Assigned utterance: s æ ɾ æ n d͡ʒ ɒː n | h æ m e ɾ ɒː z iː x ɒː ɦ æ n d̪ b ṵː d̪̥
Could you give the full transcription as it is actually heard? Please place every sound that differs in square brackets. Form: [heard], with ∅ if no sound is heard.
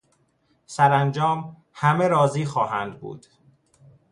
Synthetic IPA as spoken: s æ ɾ æ n d͡ʒ ɒː [m] | h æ m e ɾ ɒː z iː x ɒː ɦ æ n d̪ b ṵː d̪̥